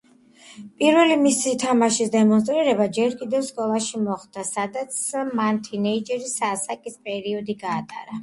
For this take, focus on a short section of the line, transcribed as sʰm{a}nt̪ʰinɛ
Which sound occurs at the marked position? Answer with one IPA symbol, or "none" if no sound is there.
a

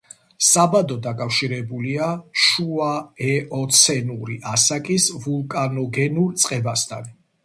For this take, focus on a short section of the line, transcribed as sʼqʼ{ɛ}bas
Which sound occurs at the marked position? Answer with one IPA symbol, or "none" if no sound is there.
ɛ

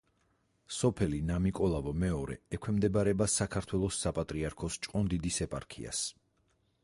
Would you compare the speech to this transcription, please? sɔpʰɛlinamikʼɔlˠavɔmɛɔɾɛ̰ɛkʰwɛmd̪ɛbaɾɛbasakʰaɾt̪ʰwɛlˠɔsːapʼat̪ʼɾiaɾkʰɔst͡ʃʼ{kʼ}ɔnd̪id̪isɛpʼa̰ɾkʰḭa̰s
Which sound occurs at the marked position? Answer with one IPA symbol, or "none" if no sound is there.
qʼ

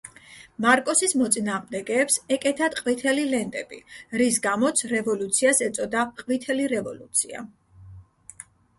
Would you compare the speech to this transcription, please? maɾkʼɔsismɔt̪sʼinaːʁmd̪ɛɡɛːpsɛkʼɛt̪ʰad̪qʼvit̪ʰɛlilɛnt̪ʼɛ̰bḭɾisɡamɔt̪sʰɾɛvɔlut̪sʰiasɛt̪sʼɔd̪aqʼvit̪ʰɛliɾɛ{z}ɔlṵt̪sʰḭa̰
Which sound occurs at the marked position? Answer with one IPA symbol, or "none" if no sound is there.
v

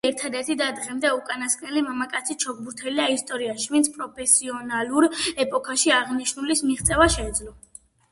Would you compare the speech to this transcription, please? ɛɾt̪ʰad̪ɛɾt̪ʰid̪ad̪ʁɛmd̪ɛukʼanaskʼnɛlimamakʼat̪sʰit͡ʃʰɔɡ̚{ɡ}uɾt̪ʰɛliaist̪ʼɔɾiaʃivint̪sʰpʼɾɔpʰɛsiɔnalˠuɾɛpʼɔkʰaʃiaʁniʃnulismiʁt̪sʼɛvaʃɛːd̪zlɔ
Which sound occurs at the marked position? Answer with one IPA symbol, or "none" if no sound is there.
b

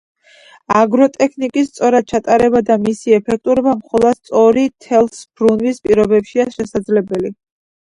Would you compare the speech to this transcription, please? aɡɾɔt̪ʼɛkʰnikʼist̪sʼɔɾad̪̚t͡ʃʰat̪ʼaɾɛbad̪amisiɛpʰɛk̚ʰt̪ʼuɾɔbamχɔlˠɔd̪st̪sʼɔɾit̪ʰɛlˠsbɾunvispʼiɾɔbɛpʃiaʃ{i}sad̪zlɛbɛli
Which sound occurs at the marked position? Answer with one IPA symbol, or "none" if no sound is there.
ɛ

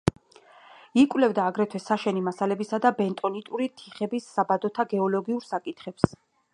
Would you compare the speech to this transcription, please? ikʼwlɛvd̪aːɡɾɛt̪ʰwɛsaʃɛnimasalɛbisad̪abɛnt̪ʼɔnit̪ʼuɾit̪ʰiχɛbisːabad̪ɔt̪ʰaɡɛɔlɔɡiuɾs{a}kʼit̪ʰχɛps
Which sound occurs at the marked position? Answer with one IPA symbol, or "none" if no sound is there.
a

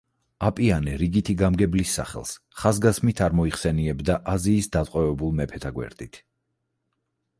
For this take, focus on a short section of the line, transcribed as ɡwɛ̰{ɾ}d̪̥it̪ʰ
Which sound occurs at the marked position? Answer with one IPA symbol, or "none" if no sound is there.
ɾ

